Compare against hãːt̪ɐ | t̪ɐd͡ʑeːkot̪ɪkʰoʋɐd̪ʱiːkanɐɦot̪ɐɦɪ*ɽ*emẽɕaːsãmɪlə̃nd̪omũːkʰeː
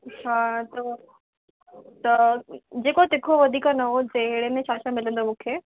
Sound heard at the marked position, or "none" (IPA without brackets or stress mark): ɽ